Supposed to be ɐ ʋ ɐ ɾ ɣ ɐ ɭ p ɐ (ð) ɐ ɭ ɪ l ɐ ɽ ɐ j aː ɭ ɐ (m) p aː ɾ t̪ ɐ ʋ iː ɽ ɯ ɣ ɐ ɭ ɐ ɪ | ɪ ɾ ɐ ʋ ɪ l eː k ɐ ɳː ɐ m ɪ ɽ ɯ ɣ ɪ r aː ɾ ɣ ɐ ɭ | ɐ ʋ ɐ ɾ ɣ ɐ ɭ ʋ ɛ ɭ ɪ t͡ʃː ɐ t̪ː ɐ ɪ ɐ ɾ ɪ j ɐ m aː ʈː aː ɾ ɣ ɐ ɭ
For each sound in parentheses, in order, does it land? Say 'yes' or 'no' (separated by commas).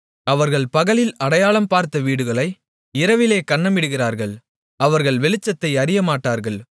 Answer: no, yes